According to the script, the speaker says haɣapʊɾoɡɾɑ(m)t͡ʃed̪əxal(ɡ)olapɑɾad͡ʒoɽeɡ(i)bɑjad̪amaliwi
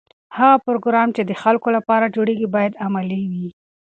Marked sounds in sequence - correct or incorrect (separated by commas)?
correct, incorrect, correct